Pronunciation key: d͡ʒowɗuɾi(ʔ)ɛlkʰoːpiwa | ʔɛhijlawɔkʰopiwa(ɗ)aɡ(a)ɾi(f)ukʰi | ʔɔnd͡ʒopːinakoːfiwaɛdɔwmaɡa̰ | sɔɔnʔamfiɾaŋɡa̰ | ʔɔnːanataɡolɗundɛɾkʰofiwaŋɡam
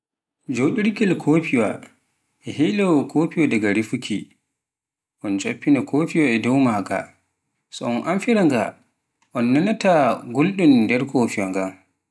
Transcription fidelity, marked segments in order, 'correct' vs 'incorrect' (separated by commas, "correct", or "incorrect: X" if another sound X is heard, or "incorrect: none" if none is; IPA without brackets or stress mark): incorrect: k, incorrect: d, correct, correct